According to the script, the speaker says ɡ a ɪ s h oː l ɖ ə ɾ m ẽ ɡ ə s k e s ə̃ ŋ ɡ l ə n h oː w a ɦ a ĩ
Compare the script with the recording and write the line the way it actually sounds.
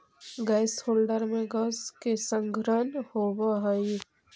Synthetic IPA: ɡ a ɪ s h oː l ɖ ə ɾ m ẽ ɡ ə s k e s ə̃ ŋ ɡ ɾ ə n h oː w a ɦ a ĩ